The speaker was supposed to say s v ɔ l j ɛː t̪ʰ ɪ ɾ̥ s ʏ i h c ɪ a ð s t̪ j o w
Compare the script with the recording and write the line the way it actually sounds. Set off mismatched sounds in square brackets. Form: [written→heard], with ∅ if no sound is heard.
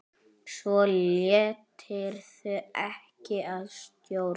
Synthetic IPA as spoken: s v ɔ l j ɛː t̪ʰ ɪ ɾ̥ [s→θ] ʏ [i→ɛ] h c ɪ a ð s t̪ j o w